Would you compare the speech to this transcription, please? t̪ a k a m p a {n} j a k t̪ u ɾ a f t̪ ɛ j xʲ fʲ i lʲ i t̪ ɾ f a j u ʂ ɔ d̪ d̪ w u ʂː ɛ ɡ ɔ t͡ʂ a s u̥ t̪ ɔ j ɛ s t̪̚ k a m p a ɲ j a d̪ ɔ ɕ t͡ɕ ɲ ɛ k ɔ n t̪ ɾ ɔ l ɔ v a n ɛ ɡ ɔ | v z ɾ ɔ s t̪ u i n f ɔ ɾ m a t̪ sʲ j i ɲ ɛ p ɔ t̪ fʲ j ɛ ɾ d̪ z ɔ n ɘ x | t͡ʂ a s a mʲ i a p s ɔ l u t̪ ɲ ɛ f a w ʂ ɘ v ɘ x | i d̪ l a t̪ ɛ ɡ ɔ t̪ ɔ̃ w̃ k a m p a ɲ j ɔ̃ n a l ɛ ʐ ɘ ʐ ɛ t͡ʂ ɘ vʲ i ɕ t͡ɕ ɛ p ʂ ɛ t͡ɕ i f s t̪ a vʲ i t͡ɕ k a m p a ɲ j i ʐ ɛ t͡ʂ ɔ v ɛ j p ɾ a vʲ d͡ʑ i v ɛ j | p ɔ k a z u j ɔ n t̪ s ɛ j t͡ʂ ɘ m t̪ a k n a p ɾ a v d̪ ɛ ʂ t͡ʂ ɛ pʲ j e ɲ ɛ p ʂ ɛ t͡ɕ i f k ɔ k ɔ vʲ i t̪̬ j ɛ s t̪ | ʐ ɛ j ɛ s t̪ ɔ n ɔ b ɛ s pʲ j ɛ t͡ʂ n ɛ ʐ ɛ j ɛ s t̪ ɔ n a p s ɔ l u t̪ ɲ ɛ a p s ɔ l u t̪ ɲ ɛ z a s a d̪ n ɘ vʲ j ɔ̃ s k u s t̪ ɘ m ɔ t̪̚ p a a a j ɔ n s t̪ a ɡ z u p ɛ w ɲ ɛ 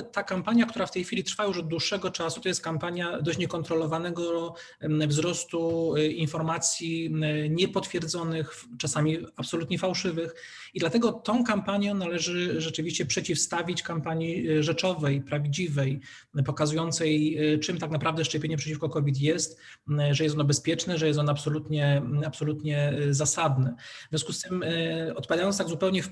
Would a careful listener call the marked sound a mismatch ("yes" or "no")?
yes